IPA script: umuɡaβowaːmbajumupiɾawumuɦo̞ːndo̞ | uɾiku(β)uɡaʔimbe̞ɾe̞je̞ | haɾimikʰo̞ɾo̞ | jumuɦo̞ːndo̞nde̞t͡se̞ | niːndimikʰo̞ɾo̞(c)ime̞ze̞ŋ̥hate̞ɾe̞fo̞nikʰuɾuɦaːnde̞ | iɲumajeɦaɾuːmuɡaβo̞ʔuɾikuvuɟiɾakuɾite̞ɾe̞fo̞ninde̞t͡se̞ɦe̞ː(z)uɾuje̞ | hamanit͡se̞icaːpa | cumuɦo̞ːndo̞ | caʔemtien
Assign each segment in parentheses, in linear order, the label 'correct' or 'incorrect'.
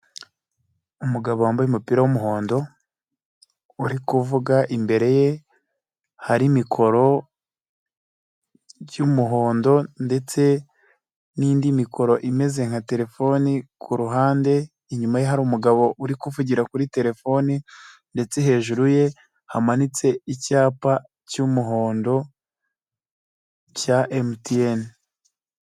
incorrect: v, incorrect: ʔ, incorrect: ʒ

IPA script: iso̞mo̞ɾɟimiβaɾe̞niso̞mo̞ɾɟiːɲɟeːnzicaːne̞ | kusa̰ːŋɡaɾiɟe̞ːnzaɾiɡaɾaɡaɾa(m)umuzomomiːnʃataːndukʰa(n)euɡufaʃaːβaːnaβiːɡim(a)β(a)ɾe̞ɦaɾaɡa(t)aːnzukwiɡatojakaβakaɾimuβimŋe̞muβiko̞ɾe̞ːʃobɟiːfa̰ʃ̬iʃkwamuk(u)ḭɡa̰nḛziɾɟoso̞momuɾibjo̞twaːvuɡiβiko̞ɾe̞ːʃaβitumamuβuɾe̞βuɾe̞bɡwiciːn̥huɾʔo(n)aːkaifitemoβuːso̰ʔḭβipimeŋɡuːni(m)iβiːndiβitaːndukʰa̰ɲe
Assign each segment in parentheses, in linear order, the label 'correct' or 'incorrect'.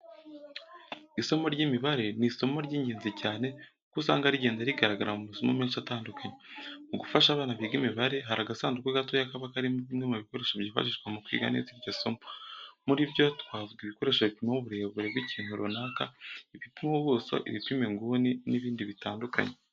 correct, incorrect: ɲ, incorrect: i, correct, incorrect: s, incorrect: w, correct, incorrect: n

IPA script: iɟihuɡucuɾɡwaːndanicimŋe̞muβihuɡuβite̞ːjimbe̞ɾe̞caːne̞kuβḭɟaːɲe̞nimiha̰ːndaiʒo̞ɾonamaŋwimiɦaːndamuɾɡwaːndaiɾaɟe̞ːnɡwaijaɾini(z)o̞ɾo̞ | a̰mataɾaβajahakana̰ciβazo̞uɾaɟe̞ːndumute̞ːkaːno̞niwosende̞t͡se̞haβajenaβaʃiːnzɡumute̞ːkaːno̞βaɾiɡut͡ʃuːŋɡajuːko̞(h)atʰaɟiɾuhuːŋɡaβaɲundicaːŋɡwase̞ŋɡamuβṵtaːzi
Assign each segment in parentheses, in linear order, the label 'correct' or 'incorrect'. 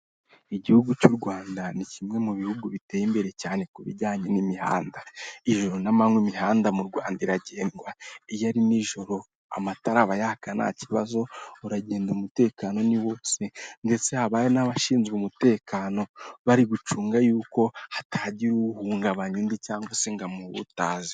incorrect: ʒ, correct

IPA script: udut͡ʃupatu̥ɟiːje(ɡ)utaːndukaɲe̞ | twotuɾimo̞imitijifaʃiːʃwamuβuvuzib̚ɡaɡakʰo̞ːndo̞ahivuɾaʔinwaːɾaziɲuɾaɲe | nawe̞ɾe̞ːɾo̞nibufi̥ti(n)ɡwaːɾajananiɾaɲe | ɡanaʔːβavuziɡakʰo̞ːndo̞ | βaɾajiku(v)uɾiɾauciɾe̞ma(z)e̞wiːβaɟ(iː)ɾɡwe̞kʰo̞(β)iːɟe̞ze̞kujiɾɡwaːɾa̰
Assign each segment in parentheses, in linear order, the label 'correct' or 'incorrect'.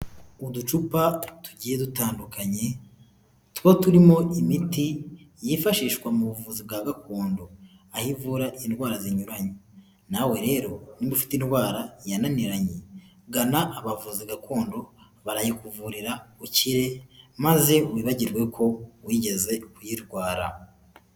incorrect: d, correct, correct, correct, incorrect: i, incorrect: w

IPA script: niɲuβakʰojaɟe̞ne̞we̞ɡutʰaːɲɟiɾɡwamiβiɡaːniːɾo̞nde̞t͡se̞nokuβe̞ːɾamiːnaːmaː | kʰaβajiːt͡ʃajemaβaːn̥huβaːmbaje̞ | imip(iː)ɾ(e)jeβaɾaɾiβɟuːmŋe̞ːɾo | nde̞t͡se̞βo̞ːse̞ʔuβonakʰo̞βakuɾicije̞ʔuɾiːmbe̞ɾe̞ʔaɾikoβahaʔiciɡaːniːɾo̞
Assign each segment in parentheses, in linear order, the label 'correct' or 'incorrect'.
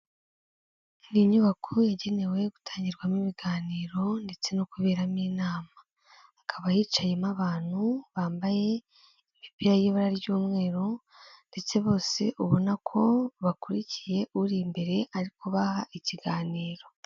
incorrect: i, incorrect: a

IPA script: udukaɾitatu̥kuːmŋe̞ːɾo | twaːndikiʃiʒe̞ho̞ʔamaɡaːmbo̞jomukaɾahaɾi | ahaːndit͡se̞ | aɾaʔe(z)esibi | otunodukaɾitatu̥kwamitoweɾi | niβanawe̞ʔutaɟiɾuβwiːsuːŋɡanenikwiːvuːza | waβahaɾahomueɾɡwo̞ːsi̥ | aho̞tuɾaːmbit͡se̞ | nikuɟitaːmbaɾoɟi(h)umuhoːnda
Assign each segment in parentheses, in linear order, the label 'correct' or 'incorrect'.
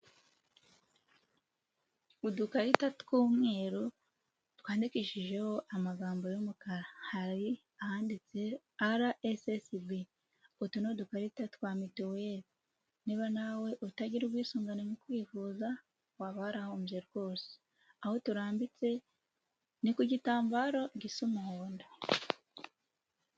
incorrect: s, incorrect: s

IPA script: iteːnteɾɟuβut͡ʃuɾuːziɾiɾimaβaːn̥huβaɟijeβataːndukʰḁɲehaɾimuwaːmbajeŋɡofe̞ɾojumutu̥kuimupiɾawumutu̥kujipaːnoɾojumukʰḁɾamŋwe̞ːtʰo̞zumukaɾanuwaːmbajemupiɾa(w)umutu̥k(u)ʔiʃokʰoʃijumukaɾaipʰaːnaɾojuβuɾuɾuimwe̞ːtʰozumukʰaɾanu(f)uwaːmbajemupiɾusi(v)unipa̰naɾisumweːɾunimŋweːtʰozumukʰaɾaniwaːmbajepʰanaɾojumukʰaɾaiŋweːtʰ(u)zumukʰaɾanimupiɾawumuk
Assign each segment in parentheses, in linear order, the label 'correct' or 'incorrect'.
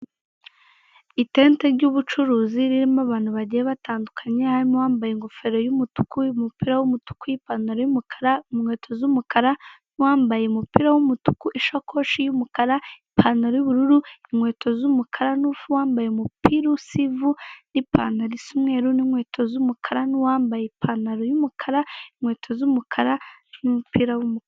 correct, correct, correct, correct, incorrect: o

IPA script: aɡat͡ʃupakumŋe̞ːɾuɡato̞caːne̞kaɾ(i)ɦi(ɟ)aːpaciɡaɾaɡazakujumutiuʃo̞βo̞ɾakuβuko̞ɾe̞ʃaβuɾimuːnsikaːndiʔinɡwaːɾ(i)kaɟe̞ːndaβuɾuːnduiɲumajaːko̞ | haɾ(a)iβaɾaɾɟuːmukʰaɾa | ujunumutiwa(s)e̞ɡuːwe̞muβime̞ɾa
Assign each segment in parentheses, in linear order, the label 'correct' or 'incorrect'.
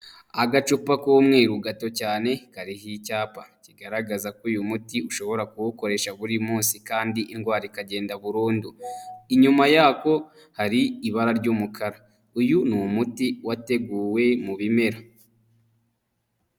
correct, incorrect: c, correct, incorrect: i, incorrect: t

